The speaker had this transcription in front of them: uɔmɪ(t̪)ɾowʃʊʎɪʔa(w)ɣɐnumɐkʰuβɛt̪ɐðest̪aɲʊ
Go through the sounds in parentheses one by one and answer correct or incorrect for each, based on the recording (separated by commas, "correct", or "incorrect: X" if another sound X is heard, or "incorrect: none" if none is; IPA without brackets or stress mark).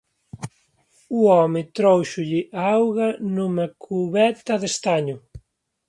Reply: correct, correct